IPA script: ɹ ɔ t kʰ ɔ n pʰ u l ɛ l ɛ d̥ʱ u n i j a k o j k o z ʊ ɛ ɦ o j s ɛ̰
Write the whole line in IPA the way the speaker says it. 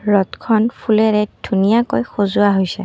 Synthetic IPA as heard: ɹ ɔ t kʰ ɔ n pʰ u l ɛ ɹ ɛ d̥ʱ u n i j a k o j x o z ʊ a ɦ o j s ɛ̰

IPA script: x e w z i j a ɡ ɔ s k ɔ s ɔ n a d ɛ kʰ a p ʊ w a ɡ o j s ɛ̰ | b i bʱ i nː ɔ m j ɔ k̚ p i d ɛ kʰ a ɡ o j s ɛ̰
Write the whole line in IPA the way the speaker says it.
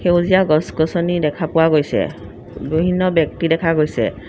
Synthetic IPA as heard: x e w z i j a ɡ ɔ s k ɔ s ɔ n i d ɛ kʰ a p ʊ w a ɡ o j s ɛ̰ | b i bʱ i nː ɔ b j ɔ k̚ t i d ɛ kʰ a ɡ o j s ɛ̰

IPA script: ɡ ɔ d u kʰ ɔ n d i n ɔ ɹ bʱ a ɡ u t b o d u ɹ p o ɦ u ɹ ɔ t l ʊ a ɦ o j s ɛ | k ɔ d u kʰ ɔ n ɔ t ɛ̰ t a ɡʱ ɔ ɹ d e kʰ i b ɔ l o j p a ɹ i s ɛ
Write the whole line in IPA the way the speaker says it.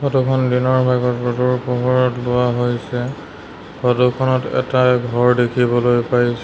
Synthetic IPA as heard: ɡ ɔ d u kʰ ɔ n d i n ɔ ɹ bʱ a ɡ ɔ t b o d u ɹ p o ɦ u ɹ ɔ t l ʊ a ɦ o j s ɛ | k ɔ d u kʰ ɔ n ɔ t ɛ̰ t a ɡʱ ɔ ɹ d e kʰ i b ɔ l o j p a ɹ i s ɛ

